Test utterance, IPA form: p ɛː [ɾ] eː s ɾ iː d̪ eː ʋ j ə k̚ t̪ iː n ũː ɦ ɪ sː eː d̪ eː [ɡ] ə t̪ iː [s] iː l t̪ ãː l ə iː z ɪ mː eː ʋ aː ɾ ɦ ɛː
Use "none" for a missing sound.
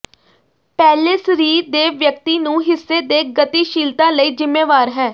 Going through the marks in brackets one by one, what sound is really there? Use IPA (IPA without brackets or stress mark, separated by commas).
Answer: l, ɡ, ʃ